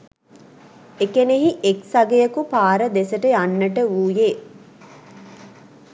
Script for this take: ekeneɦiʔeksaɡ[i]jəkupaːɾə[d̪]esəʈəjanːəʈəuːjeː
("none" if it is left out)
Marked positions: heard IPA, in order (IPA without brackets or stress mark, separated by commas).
e, d̪